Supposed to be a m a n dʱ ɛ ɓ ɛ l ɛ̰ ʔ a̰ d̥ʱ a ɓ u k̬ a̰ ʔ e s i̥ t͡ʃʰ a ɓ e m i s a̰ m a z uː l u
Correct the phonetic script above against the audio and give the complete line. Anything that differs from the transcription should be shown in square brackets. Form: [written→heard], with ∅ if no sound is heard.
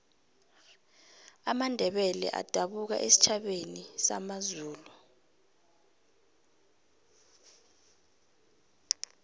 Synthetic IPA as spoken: a m a n dʱ ɛ ɓ ɛ l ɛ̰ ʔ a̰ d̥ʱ a ɓ u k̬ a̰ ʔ e s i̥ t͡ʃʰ a ɓ e [m→n] i s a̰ m a z uː l u